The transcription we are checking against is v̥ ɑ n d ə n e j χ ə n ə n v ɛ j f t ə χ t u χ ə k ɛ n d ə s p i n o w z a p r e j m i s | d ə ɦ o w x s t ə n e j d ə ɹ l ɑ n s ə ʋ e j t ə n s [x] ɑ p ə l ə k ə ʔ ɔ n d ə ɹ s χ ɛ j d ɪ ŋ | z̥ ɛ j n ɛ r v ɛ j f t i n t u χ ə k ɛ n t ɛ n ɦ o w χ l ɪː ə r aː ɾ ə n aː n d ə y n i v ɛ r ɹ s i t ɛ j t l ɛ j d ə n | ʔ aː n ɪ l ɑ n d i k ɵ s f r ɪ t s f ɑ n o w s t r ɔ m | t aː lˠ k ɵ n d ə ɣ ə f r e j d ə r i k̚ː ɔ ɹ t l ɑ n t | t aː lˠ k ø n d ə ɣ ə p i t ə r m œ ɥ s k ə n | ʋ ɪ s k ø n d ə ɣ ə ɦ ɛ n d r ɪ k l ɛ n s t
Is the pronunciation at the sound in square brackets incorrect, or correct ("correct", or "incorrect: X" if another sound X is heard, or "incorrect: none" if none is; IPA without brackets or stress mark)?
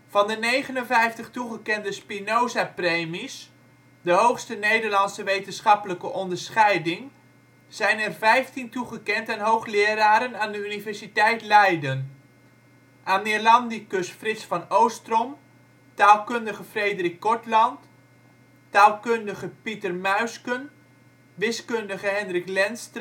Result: incorrect: χ